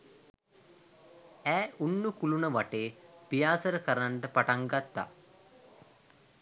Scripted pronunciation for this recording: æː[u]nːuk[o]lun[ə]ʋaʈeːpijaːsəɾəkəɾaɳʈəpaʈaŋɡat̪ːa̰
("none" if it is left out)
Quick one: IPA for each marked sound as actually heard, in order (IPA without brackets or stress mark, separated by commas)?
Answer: u, u, ə